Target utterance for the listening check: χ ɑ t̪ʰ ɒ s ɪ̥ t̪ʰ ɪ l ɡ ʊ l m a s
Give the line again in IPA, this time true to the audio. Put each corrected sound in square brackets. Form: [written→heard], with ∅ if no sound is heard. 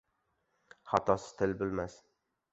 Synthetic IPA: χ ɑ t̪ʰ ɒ s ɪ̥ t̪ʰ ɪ l [ɡ→b] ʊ l m a s